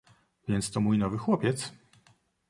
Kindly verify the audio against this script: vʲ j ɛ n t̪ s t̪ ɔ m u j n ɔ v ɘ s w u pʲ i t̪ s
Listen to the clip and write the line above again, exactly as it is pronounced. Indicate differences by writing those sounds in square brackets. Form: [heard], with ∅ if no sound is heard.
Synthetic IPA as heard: vʲ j ɛ n t̪ s t̪ ɔ m u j n ɔ v ɘ [x] w [ɔ] pʲ [ɛ] t̪ s